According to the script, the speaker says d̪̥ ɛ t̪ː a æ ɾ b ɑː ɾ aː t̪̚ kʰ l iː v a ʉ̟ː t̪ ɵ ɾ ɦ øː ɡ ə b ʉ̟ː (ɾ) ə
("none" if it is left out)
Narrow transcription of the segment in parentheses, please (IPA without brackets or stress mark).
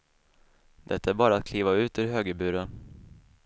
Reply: ɾ